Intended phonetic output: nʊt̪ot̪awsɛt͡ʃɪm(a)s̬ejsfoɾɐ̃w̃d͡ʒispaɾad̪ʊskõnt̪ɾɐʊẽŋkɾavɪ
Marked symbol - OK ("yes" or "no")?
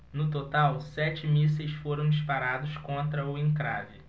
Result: no